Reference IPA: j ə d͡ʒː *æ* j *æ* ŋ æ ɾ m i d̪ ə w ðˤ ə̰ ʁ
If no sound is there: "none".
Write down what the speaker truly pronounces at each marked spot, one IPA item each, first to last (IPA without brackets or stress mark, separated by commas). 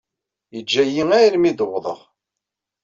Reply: æ, i